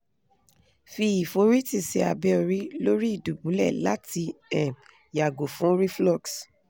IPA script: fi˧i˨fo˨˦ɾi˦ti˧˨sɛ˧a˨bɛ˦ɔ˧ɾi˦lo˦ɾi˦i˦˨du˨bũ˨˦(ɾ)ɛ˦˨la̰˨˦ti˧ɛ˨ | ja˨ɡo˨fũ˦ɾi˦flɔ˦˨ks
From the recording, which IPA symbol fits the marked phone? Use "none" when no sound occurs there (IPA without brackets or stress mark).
l